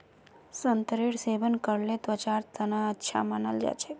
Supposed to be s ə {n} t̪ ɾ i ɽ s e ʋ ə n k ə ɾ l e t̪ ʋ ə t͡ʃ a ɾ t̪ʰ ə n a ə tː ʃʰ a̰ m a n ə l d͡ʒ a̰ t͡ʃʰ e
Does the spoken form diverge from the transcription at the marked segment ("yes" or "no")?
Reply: no